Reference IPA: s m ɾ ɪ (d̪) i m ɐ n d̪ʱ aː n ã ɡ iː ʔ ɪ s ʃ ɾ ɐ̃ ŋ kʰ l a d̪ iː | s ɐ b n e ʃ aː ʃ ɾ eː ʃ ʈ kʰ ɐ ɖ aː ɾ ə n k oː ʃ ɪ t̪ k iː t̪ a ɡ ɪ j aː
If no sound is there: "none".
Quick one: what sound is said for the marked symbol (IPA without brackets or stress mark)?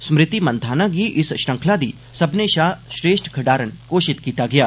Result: t̪